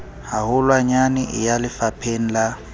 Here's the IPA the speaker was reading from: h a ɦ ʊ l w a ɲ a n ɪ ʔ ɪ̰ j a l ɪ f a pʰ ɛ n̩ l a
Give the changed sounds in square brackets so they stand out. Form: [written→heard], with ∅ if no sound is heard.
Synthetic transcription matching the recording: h a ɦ ʊ l w a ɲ a n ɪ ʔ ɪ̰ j a l ɪ f a pʰ [ɛ→e] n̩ l a

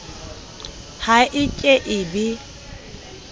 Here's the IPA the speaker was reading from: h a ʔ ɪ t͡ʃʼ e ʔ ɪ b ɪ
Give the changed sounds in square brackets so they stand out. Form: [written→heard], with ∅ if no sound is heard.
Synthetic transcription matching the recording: h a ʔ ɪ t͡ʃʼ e ʔ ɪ b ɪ

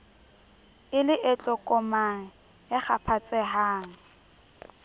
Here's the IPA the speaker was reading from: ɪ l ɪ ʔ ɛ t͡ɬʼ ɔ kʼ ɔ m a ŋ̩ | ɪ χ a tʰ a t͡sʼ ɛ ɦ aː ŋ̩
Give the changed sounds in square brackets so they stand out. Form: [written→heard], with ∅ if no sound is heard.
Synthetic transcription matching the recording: ɪ l ɪ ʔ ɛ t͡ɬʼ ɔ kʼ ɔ m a ŋ̩ | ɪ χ a [tʰ→pʰ] a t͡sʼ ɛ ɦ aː ŋ̩

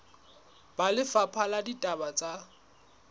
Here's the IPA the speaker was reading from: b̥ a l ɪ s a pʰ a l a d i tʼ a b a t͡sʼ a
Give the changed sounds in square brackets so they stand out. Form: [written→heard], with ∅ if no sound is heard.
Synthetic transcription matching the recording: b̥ a l ɪ [s→f] a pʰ a l a d i tʼ a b a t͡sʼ a

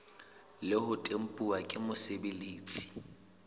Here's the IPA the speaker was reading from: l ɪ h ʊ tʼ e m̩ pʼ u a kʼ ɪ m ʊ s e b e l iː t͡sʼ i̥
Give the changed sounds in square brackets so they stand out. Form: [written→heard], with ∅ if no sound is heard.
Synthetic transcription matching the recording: l ɪ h ʊ tʼ e m̩ pʼ u a kʼ ɪ m ʊ s e b e l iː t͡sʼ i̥

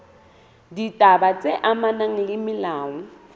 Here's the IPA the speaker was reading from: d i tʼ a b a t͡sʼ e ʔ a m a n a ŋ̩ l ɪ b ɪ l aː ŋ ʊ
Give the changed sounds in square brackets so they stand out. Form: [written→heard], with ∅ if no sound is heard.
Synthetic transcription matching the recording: d i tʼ a b a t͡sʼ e ʔ a m a n a ŋ̩ l ɪ [b→m] ɪ l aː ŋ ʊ

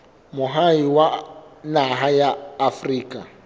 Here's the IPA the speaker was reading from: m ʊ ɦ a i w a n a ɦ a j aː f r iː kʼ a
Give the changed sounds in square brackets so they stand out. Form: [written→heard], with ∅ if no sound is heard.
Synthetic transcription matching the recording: m ʊ ɦ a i w a n a ɦ a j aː f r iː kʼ a

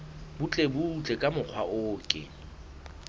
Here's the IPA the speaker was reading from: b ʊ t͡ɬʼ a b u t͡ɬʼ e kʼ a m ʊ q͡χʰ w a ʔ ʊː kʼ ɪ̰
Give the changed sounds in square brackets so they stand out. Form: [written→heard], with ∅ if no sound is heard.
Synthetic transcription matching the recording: b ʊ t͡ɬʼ [a→e] b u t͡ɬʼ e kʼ a m ʊ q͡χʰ w a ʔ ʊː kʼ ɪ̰

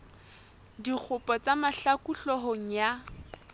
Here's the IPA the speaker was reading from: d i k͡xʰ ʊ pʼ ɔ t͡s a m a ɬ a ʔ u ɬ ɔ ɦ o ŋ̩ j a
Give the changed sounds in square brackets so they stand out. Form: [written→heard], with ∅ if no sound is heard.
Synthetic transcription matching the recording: d i k͡xʰ ʊ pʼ ɔ t͡s a m a ɬ a [ʔ→k] u ɬ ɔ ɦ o ŋ̩ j a

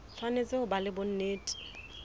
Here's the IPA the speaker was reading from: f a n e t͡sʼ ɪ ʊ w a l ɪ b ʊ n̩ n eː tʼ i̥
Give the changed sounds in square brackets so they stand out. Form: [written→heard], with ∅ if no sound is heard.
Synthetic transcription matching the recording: f a n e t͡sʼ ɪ ʊ [w→b] a l ɪ b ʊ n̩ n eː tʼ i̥

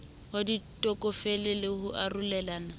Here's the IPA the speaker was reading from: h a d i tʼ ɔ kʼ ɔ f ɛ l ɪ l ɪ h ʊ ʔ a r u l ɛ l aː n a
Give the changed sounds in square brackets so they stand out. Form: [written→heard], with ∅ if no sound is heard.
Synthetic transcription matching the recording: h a d i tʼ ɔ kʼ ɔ f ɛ l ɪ l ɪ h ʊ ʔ a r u l ɛ l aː n a

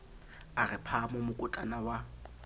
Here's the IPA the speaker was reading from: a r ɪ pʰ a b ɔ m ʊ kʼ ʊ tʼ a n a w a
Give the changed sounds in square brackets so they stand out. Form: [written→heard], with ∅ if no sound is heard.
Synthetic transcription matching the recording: a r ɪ pʰ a [b→m] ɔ m ʊ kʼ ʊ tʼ a n a w a

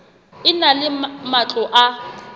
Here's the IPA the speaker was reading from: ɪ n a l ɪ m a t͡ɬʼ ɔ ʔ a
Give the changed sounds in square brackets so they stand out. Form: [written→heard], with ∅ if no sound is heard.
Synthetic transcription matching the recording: ɪ n a l ɪ m a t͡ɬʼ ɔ ʔ a

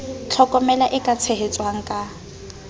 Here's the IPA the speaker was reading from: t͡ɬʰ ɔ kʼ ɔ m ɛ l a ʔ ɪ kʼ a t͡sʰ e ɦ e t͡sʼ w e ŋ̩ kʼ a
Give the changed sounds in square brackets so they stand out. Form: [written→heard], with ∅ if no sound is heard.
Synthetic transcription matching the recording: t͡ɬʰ ɔ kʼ ɔ m ɛ l a ʔ ɪ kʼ a t͡sʰ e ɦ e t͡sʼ w [e→a] ŋ̩ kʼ a

